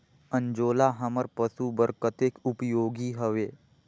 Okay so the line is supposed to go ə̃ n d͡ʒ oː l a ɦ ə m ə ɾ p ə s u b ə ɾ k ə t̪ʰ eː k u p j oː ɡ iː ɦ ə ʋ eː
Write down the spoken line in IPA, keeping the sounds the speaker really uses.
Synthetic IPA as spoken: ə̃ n d͡ʒ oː l a ɦ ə m ə ɾ p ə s u b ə ɾ k ə t̪ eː k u p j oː ɡ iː ɦ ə ʋ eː

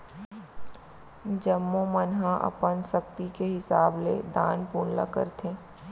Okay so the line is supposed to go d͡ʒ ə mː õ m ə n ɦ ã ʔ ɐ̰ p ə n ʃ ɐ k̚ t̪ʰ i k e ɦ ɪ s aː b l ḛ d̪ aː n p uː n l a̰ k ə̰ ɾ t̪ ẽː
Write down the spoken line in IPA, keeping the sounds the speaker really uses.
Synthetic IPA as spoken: d͡ʒ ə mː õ m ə n ɦ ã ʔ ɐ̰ p ə n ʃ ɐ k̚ t̪ i k e ɦ ɪ s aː b l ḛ d̪ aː n p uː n l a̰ k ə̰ ɾ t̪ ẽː

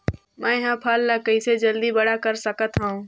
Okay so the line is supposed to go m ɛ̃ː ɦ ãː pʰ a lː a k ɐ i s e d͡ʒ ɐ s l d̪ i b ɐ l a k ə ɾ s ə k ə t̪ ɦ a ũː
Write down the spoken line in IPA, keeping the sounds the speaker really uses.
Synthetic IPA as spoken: m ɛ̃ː ɦ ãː pʰ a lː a k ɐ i s e d͡ʒ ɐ l d̪ i b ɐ ɽ a k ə ɾ s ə k ə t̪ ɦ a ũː

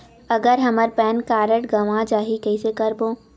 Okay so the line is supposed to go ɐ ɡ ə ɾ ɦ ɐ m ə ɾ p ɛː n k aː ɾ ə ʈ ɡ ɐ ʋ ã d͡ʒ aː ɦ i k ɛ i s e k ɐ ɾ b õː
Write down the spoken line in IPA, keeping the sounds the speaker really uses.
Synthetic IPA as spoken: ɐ ɡ ə ɾ ɦ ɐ m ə ɾ p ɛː n k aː ɾ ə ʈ ɡ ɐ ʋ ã d͡ʒ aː ɦ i k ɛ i s e k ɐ ɾ b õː

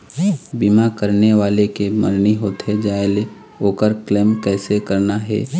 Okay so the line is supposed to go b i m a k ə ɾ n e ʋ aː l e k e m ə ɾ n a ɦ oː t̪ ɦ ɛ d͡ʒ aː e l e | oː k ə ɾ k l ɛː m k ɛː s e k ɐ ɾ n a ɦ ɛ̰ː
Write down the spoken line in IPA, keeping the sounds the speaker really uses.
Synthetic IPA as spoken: b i m a k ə ɾ n e ʋ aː l e k e m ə ɾ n i ɦ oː t̪ ɦ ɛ d͡ʒ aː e l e | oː k ə ɾ k l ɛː m k ɛː s e k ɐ ɾ n a ɦ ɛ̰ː

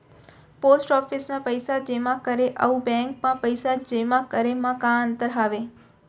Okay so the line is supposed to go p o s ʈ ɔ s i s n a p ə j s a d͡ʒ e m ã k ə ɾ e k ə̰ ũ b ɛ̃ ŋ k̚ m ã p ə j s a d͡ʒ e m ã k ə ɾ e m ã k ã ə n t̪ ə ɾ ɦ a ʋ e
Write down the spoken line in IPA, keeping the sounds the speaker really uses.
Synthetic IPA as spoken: p o s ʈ ɔ f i s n a p ə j s a d͡ʒ e m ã k ə ɾ e ʔ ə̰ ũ b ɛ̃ ŋ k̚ m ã p ə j s a d͡ʒ e m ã k ə ɾ e m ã k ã ə n t̪ ə ɾ ɦ a ʋ e

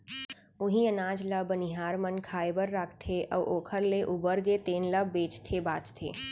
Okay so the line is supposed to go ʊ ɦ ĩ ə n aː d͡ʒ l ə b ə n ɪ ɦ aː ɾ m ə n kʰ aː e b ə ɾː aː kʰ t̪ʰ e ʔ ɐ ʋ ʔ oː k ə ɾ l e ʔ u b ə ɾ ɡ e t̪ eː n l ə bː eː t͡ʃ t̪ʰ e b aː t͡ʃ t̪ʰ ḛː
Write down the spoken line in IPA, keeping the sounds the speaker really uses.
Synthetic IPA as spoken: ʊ ɦ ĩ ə n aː d͡ʒ l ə b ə n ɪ ɦ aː ɾ m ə n kʰ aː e b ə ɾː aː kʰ t̪ʰ e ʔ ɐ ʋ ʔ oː kʰ ə ɾ l e ʔ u b ə ɾ ɡ e t̪ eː n l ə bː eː t͡ʃ t̪ʰ e b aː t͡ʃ t̪ʰ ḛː

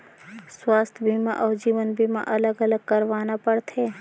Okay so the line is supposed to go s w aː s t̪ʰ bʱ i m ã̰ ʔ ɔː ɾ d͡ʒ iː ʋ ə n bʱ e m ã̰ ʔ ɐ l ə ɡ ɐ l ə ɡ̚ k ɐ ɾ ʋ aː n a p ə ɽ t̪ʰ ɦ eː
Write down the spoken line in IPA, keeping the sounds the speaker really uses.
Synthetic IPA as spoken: s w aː s t̪ʰ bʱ i m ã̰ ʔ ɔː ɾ d͡ʒ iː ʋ ə n bʱ i m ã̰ ʔ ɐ l ə ɡ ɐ l ə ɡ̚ k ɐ ɾ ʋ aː n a p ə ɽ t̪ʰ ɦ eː

